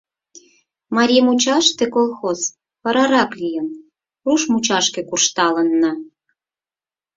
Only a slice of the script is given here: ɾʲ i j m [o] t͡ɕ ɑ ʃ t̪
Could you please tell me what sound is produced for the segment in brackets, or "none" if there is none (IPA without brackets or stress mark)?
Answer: u